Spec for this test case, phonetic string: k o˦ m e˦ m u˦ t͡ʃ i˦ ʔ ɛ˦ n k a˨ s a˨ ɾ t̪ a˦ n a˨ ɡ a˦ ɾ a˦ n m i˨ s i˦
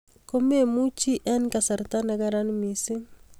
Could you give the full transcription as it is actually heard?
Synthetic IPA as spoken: k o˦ m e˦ m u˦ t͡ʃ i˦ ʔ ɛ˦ n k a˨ s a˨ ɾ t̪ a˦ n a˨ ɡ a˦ ɾ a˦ n m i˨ s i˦